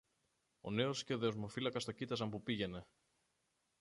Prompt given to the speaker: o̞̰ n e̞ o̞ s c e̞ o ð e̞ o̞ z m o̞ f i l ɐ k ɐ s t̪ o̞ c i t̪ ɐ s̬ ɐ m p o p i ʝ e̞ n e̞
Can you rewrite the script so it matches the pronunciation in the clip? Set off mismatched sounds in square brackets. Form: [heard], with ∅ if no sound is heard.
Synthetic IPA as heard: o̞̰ n e̞ o̞ s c e̞ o ð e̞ o̞ z m o̞ f i l ɐ k ɐ s t̪ o̞ c i t̪ ɐ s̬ ɐ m p [u] p i ʝ e̞ n e̞